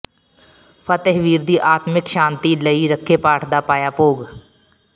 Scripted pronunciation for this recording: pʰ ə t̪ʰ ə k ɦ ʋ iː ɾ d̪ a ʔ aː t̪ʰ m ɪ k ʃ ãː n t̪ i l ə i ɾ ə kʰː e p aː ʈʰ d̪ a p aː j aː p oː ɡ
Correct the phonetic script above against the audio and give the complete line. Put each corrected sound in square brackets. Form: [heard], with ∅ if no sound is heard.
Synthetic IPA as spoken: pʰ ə [t̪] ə [∅] ɦ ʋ iː ɾ d̪ [i] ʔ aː [t̪] m ɪ k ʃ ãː n t̪ i l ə i ɾ ə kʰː e p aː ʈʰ d̪ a p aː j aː p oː ɡ